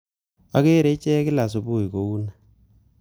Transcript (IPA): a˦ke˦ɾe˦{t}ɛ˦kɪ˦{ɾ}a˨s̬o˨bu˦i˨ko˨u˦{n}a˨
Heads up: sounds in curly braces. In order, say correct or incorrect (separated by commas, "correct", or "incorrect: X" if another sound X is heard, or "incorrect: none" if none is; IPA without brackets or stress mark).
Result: incorrect: t͡ʃ, incorrect: l, correct